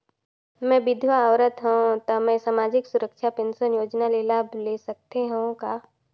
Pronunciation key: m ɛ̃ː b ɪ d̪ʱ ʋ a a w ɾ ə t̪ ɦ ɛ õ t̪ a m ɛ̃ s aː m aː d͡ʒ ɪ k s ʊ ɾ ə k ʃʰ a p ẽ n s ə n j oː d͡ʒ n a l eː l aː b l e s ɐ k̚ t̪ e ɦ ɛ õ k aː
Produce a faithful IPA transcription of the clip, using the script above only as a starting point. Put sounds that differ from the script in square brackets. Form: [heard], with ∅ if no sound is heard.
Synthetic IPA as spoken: m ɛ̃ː b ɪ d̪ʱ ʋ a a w ɾ ə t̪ ɦ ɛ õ t̪ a m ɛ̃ s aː m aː d͡ʒ ɪ k s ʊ ɾ ə k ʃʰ a p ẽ n s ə n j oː d͡ʒ n a l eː l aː b l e s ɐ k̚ t̪ e ɦ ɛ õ k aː